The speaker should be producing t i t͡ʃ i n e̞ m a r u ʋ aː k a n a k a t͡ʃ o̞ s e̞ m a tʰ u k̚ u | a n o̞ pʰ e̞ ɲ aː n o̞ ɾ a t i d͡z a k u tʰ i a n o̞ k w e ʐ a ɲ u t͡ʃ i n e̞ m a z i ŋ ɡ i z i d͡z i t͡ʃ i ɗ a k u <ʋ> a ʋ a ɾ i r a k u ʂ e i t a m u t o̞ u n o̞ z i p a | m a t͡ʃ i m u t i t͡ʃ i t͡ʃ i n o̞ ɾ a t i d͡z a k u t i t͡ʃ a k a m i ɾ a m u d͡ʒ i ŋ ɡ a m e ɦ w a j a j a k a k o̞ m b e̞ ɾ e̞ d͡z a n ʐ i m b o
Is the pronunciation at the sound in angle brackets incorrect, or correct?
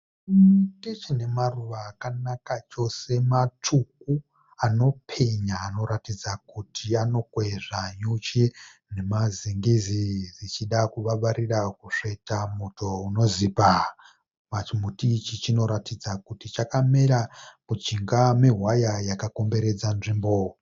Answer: correct